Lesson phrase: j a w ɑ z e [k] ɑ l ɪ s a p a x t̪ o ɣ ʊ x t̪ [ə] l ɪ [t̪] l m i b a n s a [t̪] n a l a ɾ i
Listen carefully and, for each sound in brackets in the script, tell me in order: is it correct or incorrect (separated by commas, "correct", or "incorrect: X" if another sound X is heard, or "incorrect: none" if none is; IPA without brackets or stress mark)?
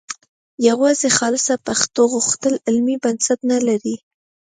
incorrect: x, correct, incorrect: none, correct